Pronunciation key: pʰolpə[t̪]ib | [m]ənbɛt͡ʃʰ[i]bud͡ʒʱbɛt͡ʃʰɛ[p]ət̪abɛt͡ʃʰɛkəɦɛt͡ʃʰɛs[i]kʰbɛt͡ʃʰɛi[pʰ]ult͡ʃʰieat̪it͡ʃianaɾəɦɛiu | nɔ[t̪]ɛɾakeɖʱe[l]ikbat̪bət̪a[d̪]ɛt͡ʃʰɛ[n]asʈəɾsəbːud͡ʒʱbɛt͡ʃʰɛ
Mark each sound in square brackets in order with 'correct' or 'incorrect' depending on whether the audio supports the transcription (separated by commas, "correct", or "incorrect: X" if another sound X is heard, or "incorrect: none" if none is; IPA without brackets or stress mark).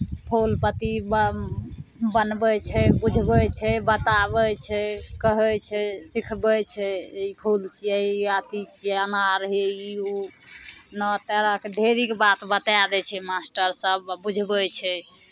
correct, incorrect: b, incorrect: ɛ, incorrect: b, correct, correct, correct, incorrect: ɾ, correct, incorrect: m